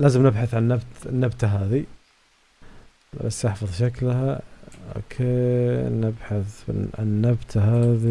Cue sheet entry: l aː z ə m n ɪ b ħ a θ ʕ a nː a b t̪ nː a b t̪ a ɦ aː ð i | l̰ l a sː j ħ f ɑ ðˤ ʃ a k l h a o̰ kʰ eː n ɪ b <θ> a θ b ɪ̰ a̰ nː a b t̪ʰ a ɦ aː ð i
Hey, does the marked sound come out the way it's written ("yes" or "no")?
no